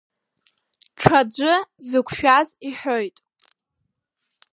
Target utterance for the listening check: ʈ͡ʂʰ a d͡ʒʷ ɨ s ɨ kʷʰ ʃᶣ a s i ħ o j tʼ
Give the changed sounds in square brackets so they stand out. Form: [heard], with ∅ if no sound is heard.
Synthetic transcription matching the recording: ʈ͡ʂʰ a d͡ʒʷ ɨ [z] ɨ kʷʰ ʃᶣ a [z] i ħ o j tʼ